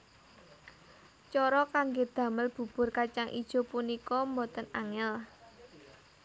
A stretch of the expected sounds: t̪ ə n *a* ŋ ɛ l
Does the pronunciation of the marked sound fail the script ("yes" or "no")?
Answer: no